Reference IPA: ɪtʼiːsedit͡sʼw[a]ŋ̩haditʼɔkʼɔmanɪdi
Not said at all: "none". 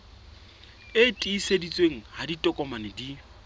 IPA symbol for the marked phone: e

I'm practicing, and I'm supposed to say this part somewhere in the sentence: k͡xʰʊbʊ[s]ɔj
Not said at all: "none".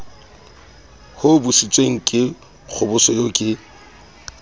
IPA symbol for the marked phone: s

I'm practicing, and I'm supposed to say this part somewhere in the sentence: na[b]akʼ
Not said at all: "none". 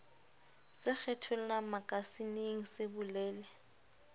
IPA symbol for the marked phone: m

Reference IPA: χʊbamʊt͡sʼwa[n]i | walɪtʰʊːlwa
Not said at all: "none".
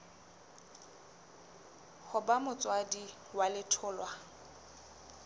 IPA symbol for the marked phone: d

